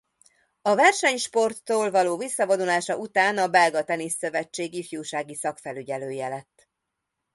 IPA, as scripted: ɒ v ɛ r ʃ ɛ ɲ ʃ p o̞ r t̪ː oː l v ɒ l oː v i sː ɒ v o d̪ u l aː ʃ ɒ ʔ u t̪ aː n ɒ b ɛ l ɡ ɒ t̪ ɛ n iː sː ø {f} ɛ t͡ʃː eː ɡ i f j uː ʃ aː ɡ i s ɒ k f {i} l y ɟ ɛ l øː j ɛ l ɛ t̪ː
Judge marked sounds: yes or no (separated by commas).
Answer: no, no